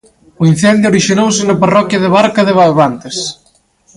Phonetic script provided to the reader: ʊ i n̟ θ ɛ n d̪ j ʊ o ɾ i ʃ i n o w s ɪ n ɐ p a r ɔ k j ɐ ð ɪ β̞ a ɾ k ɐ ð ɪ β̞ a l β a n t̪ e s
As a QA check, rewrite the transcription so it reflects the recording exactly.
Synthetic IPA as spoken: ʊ i n̟ θ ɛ n d̪ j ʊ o ɾ i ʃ i n o w s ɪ n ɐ p a r ɔ k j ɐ ð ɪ β̞ a ɾ k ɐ ð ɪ β̞ a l β a n t̪ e s